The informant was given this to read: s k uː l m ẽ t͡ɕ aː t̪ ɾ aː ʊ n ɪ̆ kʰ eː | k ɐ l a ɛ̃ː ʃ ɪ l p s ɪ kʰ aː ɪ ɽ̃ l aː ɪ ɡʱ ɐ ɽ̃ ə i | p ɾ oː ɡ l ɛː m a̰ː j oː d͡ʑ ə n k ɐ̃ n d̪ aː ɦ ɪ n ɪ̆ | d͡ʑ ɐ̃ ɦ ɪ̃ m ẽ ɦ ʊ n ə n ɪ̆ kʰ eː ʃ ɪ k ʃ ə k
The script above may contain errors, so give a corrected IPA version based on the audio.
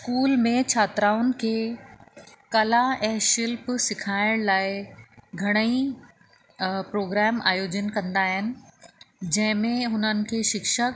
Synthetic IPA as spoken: s k uː l m ẽ t͡ɕʰ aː t̪ ɾ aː ʊ n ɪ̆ kʰ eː | k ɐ l a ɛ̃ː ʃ ɪ l p s ɪ kʰ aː ɪ ɽ̃ l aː ɪ ɡʱ ɐ ɽ̃ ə i | p ɾ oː ɡ ɾ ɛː m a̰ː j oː d͡ʑ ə n k ɐ̃ n d̪ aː ɦ ɪ n ɪ̆ | d͡ʑ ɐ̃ ɦ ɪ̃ m ẽ ɦ ʊ n ə n ɪ̆ kʰ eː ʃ ɪ k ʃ ə k